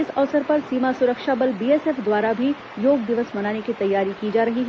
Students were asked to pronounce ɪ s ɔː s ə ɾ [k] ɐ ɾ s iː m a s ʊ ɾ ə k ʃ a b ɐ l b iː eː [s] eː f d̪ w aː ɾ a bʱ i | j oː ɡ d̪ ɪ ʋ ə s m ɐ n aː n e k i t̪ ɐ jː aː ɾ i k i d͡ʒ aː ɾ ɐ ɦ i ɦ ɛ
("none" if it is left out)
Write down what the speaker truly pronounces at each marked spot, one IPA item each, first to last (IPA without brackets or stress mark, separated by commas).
p, s